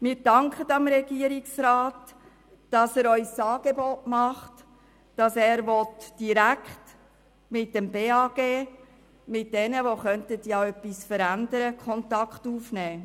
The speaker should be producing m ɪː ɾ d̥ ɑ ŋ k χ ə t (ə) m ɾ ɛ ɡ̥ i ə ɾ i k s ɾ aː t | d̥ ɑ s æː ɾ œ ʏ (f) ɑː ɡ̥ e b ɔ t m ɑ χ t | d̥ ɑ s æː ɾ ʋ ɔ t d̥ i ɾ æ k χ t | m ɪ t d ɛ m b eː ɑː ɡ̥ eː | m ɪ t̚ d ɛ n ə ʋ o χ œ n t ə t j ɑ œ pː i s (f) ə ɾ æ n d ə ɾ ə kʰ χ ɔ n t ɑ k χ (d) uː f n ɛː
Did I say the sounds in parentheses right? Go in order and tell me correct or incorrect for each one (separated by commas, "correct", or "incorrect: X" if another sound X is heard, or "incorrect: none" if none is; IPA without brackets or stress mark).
incorrect: ɑ, incorrect: s, correct, incorrect: t